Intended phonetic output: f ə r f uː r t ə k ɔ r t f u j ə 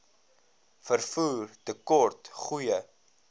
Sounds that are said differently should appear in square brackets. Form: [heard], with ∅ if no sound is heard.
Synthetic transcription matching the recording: f ə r f uː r t ə k ɔ r t [χ] u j ə